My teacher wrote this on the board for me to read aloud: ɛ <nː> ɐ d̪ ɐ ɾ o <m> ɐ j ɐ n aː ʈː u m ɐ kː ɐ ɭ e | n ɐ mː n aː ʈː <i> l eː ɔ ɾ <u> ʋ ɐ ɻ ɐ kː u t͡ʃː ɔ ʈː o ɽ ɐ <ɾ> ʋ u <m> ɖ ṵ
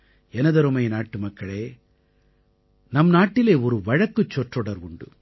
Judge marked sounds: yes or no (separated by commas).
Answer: no, yes, yes, yes, yes, no